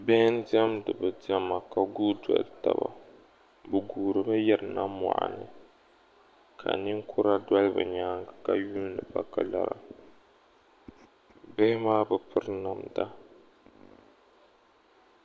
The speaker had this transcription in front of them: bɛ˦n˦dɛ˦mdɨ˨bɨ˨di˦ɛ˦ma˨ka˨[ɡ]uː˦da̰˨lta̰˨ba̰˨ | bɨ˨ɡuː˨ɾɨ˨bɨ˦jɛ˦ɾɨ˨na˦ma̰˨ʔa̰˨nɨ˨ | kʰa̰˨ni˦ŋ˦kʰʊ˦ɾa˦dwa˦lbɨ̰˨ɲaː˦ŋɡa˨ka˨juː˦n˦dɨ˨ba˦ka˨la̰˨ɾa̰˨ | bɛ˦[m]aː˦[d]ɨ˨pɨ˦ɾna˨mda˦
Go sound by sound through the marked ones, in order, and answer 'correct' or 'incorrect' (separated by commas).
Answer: correct, correct, incorrect